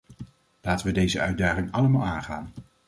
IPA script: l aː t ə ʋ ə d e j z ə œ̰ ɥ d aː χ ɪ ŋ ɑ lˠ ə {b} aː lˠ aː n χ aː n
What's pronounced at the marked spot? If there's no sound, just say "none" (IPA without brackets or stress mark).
m